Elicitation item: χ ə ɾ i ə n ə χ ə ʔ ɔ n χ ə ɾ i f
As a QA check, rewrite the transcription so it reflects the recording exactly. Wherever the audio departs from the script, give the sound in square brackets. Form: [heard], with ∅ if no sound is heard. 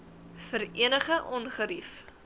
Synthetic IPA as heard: [f] ə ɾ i ə n ə χ ə ʔ ɔ n χ ə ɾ i f